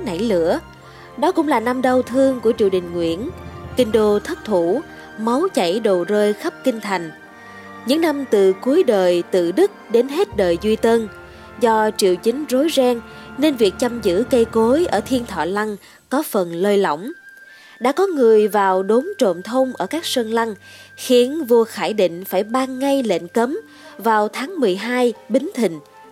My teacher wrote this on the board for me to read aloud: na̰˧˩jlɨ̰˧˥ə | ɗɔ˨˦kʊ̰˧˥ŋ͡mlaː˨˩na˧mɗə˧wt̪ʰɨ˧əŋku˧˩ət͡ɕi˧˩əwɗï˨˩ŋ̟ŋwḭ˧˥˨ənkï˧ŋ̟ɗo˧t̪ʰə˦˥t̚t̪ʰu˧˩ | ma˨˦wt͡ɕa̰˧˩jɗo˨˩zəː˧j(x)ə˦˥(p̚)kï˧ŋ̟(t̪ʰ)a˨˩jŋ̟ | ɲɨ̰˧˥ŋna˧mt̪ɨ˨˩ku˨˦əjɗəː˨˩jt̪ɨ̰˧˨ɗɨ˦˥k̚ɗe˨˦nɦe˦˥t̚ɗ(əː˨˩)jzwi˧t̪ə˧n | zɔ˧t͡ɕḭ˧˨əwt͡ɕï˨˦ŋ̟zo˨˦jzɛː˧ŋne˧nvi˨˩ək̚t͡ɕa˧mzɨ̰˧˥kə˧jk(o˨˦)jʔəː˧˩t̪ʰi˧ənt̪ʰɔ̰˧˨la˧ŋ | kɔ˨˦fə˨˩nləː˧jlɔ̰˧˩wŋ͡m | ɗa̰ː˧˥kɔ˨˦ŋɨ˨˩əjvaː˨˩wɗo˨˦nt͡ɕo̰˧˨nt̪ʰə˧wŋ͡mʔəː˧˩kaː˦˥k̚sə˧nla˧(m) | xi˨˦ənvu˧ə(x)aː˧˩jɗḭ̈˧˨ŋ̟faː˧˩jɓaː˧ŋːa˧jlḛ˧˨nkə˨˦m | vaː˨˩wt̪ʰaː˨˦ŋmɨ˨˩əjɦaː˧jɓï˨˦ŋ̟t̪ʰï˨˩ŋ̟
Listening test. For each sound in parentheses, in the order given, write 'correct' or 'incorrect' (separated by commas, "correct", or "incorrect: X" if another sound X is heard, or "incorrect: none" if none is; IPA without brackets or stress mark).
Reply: correct, correct, correct, correct, correct, incorrect: ŋ, correct